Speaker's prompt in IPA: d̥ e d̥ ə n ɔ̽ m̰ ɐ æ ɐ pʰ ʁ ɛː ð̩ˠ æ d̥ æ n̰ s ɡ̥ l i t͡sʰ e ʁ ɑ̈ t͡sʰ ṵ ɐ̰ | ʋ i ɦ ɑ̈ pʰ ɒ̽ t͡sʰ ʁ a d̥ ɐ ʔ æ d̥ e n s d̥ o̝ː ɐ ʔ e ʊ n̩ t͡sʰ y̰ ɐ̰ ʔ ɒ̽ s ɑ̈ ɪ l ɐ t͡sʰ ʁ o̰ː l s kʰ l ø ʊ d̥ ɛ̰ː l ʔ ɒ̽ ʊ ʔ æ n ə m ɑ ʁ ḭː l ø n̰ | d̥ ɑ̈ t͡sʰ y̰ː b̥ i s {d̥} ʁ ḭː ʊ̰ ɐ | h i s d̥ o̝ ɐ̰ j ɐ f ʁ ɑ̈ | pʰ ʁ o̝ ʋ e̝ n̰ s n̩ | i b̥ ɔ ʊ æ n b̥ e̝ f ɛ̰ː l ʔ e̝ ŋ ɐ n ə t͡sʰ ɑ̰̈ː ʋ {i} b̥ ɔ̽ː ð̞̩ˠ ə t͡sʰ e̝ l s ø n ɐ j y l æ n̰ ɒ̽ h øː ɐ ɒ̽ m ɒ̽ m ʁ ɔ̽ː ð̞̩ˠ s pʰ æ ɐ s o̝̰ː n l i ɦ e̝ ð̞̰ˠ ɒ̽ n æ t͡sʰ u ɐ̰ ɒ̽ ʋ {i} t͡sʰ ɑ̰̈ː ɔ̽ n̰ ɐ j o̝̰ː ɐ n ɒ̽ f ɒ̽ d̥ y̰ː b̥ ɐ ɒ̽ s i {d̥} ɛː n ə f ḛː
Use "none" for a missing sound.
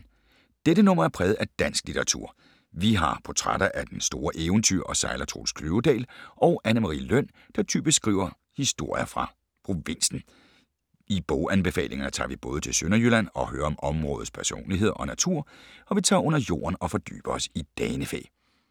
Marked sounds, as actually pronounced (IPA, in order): ɡ̥, i, i, d̥

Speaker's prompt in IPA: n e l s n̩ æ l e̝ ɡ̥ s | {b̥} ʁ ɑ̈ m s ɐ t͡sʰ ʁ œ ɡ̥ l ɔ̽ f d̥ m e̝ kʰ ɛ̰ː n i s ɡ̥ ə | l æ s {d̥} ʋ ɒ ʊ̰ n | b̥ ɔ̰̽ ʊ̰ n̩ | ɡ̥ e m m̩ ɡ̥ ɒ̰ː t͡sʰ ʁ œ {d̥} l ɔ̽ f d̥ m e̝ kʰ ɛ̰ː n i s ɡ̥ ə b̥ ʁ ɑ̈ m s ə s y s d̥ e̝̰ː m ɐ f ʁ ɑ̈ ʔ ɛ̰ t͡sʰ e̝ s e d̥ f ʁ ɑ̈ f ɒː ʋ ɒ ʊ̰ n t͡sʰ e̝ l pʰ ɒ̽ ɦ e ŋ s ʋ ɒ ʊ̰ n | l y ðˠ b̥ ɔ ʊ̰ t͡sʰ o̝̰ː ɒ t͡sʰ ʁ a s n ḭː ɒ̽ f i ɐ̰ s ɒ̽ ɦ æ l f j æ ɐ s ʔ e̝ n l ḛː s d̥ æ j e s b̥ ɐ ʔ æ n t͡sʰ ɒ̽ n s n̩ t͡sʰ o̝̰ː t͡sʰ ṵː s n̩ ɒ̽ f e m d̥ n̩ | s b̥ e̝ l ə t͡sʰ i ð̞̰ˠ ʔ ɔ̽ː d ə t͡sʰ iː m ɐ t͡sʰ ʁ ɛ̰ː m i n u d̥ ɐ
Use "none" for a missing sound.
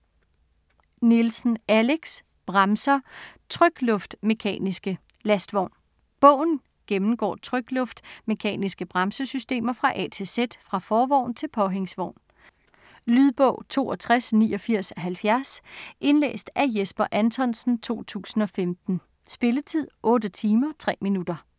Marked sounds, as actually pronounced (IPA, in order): b̥, d̥, ɡ̥

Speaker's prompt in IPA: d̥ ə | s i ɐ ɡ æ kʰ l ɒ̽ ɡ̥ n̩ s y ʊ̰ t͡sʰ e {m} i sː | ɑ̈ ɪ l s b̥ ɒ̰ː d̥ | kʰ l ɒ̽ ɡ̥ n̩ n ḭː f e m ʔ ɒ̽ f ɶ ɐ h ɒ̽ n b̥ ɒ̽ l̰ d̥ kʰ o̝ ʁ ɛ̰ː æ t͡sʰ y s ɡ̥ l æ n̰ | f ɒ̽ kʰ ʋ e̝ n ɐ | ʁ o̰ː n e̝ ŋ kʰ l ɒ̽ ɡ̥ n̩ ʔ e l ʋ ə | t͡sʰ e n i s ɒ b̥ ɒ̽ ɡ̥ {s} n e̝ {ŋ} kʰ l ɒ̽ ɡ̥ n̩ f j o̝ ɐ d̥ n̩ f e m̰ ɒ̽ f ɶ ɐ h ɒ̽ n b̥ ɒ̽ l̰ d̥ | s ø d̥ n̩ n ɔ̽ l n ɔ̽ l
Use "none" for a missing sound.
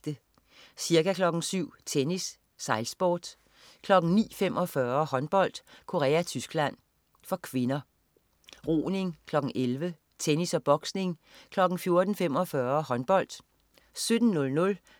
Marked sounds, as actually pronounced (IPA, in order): n, s, ŋ

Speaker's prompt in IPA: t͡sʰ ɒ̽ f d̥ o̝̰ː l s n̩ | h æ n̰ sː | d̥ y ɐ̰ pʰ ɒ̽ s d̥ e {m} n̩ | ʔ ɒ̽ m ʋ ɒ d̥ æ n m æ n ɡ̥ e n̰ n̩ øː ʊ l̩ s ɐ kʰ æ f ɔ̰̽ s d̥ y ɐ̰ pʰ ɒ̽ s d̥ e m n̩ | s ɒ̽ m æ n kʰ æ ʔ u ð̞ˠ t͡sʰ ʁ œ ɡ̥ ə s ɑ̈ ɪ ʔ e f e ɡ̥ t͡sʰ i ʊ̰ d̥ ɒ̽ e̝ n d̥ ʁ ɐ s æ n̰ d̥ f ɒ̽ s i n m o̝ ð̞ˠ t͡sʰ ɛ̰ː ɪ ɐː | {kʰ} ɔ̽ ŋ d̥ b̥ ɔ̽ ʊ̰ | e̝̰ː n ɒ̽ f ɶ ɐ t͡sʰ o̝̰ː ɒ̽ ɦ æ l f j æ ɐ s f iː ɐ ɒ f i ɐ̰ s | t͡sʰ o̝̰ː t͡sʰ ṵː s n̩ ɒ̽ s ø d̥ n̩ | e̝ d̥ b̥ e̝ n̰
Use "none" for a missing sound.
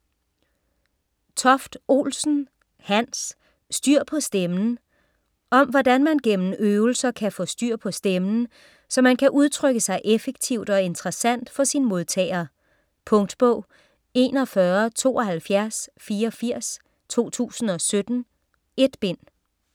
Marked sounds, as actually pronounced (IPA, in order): m, pʰ

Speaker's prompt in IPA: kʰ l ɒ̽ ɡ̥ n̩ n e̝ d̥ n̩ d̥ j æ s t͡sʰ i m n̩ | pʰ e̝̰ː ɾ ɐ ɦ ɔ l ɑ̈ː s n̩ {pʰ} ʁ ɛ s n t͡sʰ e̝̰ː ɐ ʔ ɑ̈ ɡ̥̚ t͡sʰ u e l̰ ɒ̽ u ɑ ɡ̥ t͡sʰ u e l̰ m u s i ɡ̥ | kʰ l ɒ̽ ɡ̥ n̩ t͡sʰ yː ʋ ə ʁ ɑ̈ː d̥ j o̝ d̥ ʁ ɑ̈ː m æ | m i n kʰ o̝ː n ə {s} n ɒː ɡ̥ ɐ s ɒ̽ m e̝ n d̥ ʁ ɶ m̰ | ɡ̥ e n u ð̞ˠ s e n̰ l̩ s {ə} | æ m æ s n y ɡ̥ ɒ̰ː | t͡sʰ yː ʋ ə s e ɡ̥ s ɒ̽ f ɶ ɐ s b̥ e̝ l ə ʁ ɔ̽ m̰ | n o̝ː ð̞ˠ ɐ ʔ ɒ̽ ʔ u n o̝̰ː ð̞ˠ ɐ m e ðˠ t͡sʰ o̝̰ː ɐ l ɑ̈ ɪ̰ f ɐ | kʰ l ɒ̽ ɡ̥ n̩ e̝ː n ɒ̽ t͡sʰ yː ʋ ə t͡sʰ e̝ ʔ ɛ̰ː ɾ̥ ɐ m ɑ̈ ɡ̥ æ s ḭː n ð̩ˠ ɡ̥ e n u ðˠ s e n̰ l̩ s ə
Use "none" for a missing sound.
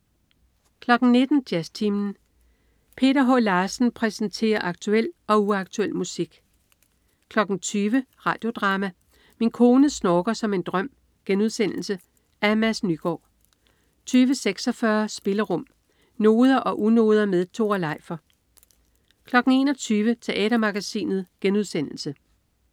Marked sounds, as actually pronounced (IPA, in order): pʰ, s, ə

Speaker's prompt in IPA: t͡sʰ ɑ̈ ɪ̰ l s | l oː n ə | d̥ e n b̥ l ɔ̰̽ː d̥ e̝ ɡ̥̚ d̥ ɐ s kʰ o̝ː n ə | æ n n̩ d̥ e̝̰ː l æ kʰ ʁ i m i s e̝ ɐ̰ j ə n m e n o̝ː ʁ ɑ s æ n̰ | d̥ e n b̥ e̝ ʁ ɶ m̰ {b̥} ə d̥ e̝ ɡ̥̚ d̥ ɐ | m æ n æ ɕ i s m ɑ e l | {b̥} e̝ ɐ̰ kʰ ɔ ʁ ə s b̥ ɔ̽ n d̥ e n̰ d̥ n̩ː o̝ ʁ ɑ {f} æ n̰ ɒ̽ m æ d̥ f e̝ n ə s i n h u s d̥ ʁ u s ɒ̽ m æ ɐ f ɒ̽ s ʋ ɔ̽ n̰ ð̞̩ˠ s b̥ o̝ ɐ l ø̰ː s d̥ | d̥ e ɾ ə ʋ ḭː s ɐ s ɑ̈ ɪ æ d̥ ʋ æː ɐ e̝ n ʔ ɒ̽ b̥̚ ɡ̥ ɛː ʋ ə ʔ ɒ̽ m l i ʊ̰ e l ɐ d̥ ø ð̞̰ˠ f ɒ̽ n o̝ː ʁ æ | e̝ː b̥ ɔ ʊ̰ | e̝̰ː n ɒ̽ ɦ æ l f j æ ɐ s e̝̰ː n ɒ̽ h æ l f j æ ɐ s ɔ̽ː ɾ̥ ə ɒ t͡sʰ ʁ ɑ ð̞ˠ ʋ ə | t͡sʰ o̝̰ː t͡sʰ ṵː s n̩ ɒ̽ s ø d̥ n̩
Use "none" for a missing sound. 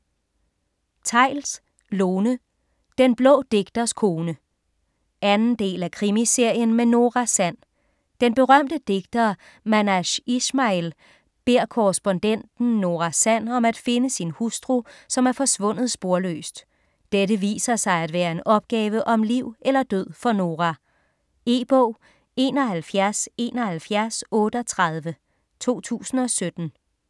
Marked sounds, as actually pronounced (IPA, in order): d̥, b̥, s

